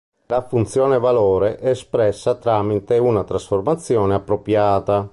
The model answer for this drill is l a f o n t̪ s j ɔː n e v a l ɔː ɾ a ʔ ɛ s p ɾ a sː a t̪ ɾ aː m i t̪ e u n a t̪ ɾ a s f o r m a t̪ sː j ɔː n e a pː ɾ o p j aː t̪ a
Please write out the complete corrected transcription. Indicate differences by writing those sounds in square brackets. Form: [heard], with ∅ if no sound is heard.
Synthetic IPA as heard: l a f [u] n t̪ s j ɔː n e v a l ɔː ɾ [e] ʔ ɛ s p ɾ [ɛ] sː a t̪ ɾ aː m i t̪ e u n a t̪ ɾ a s f o r m a t̪ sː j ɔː n e a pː ɾ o p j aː t̪ a